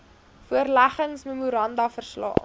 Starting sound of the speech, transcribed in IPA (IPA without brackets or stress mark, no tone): f